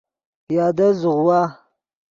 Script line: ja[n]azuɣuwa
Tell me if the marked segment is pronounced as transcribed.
no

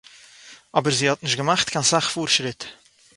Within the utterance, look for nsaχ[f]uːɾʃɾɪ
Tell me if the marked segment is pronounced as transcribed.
yes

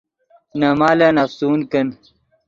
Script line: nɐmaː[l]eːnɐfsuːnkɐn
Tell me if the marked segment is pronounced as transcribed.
yes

